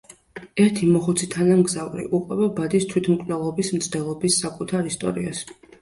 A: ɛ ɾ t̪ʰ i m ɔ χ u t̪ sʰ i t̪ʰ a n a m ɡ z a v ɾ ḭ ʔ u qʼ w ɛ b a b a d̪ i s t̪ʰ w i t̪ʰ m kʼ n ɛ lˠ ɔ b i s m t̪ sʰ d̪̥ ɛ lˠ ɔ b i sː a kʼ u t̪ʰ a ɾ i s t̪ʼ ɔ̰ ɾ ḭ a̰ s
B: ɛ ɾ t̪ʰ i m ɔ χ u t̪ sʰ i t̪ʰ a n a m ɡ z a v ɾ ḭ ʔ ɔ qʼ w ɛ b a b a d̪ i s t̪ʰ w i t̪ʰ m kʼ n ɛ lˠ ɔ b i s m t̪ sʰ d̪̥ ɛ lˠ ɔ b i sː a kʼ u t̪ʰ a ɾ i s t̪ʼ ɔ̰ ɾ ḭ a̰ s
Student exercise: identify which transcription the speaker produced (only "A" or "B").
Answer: A